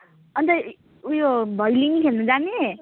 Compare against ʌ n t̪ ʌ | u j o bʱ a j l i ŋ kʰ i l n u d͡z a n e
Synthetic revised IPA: ʌ n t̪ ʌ | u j o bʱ ʌ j l i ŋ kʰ e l n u d͡z a n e